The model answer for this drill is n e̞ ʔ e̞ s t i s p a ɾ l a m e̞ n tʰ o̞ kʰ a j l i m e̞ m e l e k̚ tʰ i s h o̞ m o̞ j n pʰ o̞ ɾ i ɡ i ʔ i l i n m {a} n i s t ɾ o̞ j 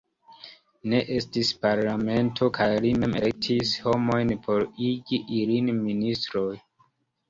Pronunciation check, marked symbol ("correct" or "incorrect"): incorrect